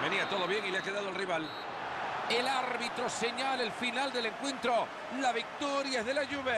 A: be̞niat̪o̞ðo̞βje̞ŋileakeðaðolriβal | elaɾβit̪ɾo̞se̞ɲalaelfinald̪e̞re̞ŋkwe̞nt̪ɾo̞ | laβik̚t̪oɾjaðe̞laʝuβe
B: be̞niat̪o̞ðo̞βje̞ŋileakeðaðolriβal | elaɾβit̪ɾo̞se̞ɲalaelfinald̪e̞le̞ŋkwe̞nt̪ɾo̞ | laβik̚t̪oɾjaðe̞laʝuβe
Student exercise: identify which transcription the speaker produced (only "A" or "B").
B